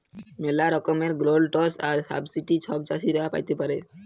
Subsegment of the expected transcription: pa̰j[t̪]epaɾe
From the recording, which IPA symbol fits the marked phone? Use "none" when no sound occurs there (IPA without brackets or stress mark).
t̪